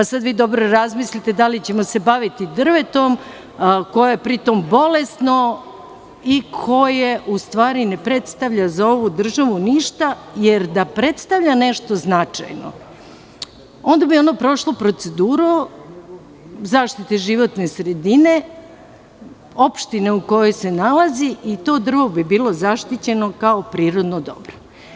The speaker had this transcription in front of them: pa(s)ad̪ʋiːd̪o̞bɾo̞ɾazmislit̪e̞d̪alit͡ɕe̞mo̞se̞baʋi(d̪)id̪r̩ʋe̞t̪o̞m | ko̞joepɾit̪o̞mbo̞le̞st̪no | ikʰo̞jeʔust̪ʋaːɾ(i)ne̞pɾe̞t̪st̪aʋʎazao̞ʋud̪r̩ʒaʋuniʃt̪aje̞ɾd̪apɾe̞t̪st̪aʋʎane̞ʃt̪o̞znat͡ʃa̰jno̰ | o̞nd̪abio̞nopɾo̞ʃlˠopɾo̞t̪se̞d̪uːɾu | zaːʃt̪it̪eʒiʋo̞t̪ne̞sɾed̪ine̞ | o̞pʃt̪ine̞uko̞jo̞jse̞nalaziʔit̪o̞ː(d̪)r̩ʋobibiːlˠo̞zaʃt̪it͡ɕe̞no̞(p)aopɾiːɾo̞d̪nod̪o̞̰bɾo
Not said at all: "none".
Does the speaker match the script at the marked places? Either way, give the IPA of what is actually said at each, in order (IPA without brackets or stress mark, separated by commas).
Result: s, t̪, i, d̪, k